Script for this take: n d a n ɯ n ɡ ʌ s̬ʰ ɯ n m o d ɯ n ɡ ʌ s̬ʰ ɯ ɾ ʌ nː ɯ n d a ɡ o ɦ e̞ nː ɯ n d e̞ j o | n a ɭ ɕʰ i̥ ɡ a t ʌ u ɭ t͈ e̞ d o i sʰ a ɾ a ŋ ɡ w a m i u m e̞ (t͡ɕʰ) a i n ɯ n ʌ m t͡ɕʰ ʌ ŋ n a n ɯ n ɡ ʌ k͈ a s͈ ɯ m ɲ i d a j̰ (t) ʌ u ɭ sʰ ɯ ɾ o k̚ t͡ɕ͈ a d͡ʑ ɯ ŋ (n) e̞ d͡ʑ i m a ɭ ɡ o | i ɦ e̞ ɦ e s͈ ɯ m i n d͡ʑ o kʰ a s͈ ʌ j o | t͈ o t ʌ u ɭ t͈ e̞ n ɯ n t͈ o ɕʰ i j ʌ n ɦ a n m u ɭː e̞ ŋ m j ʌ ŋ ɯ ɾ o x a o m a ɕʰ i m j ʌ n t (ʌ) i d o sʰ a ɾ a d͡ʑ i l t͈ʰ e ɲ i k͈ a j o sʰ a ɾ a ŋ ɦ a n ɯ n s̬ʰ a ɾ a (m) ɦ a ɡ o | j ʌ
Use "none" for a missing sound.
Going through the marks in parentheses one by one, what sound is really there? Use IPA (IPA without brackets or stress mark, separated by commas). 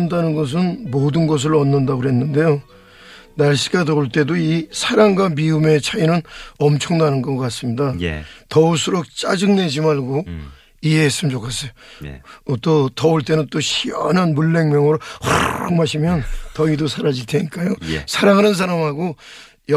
t͡ɕʰ, t, n, ʌ, m